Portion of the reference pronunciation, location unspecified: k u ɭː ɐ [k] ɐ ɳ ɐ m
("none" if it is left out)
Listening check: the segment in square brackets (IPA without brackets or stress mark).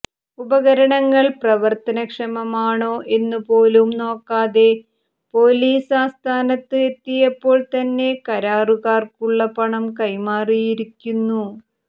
p